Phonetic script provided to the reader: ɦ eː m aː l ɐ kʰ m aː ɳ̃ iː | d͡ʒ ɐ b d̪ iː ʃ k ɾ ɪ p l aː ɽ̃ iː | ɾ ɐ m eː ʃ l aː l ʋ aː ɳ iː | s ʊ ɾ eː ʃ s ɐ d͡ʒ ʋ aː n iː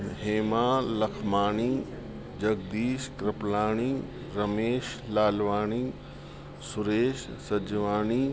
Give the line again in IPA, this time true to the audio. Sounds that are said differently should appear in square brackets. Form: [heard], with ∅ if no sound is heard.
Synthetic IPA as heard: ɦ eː m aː l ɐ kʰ m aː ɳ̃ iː | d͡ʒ ɐ [ɡ] d̪ iː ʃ k ɾ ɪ p l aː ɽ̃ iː | ɾ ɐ m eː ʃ l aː l ʋ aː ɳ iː | s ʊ ɾ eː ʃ s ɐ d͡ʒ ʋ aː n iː